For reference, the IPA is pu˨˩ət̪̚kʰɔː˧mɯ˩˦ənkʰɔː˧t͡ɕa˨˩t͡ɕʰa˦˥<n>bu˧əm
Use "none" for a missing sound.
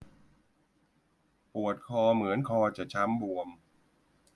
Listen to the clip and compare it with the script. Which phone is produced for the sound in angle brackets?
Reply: m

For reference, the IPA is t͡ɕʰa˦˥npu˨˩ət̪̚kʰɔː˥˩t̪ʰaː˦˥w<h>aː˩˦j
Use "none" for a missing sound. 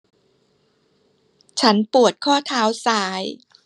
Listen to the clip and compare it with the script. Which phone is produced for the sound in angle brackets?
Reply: s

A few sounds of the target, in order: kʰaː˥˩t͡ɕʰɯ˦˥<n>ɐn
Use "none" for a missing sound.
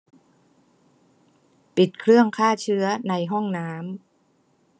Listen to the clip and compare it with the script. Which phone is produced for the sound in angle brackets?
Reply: none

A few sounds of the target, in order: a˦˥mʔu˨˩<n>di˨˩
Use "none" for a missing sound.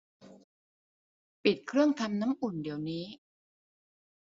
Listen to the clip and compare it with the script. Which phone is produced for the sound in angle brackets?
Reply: n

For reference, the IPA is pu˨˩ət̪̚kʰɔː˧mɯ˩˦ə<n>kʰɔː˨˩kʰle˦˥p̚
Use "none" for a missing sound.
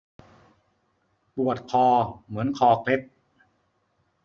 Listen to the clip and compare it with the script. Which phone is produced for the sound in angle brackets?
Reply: n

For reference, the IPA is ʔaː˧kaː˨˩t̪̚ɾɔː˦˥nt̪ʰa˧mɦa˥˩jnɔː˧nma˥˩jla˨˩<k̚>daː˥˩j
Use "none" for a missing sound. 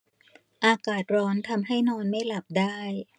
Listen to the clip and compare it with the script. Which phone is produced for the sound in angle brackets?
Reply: p̚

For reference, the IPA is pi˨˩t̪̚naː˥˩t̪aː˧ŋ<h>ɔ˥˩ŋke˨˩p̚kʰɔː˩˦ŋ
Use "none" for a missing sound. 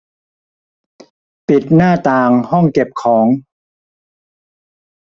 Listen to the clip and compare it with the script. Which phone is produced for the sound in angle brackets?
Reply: h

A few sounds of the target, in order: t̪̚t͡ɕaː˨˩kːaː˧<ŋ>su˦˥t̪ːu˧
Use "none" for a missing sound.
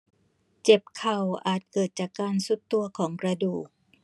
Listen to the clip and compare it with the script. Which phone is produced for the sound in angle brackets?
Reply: n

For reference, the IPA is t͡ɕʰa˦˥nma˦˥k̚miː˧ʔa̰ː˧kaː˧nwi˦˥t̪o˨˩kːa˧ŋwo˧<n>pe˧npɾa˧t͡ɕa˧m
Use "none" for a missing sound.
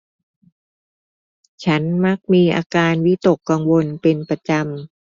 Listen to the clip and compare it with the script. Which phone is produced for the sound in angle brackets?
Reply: n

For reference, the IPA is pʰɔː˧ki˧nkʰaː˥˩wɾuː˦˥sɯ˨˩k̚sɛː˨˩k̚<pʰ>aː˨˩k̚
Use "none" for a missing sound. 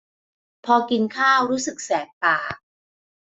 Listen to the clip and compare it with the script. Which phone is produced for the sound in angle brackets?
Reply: p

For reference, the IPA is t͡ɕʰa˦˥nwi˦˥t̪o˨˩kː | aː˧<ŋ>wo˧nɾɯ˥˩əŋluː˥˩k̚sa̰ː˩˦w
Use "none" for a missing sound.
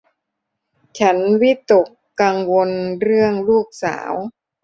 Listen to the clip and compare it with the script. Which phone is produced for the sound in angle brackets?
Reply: ŋ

